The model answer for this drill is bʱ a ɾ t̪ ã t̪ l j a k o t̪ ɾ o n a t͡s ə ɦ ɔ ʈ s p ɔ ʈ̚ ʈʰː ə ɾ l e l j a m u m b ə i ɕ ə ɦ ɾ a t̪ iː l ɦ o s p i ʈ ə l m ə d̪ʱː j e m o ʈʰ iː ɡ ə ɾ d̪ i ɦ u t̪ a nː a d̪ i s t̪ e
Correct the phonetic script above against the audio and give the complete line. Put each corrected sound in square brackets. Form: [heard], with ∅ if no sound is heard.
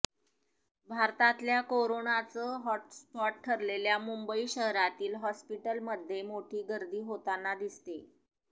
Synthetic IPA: bʱ a ɾ t̪ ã t̪ l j a k o [∅] ɾ o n a t͡s ə ɦ ɔ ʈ s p ɔ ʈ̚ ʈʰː ə ɾ l e l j a m u m b ə i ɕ ə ɦ ɾ a t̪ iː l ɦ [ɔ] s p i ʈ ə l m ə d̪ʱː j e m o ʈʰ iː ɡ ə ɾ d̪ [iː] ɦ [o] t̪ a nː a d̪ i s t̪ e

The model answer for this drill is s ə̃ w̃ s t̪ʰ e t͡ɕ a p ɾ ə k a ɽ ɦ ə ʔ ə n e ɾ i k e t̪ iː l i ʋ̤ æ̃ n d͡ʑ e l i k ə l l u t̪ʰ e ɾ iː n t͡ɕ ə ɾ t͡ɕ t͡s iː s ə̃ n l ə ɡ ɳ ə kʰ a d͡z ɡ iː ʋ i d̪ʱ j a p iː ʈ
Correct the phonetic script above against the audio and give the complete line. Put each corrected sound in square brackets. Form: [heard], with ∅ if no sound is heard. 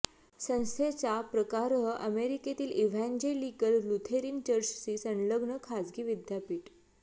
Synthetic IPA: s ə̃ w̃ s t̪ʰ e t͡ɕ a p ɾ ə k a [ɾ] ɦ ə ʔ ə [m] e ɾ i k e t̪ iː l i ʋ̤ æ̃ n d͡ʑ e l i k ə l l u t̪ʰ e ɾ iː n t͡ɕ ə ɾ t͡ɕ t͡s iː s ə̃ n l ə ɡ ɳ ə kʰ a d͡z ɡ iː ʋ i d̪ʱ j a p iː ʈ

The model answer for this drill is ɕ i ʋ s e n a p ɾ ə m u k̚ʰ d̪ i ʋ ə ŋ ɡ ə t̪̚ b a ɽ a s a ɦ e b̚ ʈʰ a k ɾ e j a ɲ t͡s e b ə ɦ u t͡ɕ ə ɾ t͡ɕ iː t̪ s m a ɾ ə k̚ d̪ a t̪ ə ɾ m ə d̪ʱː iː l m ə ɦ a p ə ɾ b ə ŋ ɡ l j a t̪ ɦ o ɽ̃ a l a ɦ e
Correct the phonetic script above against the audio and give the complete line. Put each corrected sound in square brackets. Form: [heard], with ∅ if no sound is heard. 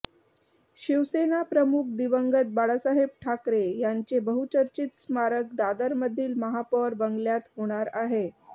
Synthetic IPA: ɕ i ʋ s e n a p ɾ ə m u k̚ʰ d̪ i ʋ ə ŋ ɡ ə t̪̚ b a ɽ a s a ɦ e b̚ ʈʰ a k ɾ e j a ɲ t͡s e b ə ɦ u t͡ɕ ə ɾ t͡ɕ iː t̪ s m a ɾ ə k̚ d̪ a [d̪] ə ɾ m ə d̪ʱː iː l m ə ɦ a p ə ɾ b ə ŋ ɡ l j a t̪ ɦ o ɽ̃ a [ɾ] a ɦ e

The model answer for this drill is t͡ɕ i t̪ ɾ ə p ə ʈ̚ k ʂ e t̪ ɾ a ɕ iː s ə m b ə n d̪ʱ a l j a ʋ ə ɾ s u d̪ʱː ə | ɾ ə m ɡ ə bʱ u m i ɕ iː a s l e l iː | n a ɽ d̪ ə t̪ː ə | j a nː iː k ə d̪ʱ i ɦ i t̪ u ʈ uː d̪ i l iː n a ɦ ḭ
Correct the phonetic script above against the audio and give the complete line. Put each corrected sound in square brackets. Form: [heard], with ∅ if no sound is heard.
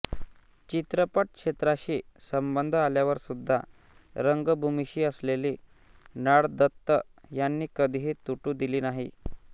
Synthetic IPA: t͡ɕ i t̪ ɾ ə p ə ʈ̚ k ʂ e t̪ ɾ a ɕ iː s ə m b ə n d̪ʱ a l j a ʋ ə ɾ s u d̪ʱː [a] | ɾ ə [ŋ] ɡ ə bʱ u m i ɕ iː [ə] s l e l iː | n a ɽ d̪ ə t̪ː ə | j a nː iː k ə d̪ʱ i ɦ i t̪ u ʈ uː d̪ i l iː n a ɦ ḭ

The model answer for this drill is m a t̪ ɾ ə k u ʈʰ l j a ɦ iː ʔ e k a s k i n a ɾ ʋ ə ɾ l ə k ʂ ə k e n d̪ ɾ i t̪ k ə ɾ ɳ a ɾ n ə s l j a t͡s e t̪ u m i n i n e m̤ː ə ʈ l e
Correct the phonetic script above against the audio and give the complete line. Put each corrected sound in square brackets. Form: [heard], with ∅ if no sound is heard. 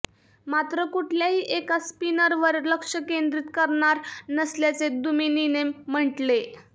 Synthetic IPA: m a t̪ ɾ ə k u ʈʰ l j a ɦ iː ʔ e k a s [p] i n [ə] ɾ ʋ ə ɾ l ə k ʂ ə k e n d̪ ɾ i t̪ k ə ɾ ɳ a ɾ n ə s l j a t͡s e [d̪] u m i n i n e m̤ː ə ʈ l e

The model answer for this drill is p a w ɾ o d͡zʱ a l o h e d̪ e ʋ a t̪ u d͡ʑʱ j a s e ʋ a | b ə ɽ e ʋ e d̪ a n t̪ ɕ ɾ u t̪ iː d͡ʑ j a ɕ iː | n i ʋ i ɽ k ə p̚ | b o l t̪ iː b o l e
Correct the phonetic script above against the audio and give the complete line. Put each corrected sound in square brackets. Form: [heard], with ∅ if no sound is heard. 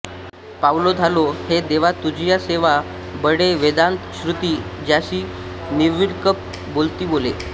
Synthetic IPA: p a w [l] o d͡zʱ a l o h e d̪ e ʋ a t̪ u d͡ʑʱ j a s e ʋ a | b ə ɽ e ʋ e d̪ a n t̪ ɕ ɾ u t̪ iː d͡ʑ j a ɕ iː | n i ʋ i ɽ k ə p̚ | b o l t̪ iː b o l e

